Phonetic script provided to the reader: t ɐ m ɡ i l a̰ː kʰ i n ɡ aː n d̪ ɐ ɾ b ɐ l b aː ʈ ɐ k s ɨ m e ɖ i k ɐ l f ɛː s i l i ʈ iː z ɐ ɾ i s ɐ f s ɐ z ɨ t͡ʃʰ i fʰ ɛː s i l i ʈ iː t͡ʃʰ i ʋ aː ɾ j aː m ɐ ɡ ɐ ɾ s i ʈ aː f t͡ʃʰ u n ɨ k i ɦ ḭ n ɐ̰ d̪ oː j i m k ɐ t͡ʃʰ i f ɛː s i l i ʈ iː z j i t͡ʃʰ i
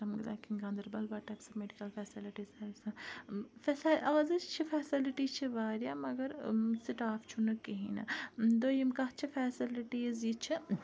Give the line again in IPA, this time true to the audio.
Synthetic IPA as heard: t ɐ m ɡ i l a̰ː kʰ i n ɡ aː n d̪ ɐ ɾ b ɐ l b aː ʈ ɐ k s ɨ m e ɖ i k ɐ l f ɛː s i l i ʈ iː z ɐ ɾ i s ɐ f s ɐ z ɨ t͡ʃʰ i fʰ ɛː s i l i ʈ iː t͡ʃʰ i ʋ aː ɾ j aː m ɐ ɡ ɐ ɾ s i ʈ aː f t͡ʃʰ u n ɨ k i ɦ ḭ n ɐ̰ d̪ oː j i m k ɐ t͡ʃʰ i f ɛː s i l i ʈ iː z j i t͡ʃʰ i